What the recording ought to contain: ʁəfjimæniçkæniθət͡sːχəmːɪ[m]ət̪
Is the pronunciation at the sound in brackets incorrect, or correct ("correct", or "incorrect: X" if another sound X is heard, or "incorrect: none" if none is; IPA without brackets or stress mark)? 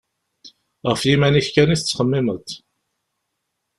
correct